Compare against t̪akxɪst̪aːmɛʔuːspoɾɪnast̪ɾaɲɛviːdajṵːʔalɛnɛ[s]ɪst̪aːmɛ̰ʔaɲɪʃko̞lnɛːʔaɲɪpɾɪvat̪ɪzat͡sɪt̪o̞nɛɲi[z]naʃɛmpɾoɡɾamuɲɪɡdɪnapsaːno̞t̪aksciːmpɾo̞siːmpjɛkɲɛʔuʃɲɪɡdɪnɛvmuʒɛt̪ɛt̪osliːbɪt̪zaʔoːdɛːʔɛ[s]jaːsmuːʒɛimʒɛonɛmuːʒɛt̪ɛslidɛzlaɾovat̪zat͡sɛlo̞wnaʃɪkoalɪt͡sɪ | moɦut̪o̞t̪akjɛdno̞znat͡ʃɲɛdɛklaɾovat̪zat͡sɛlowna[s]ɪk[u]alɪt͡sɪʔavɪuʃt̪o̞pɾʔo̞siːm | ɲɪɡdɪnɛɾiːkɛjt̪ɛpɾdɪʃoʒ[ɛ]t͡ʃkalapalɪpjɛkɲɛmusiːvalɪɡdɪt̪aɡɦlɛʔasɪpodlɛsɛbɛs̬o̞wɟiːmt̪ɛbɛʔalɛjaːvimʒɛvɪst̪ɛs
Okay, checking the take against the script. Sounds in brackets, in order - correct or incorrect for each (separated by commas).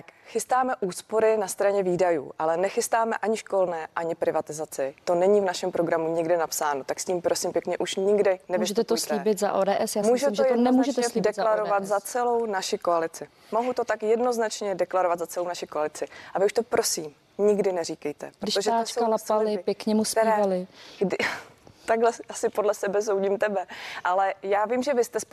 incorrect, incorrect, correct, incorrect, incorrect, incorrect